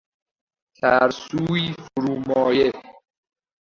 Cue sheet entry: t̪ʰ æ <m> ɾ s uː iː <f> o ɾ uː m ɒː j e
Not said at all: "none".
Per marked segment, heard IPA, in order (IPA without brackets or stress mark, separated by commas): none, f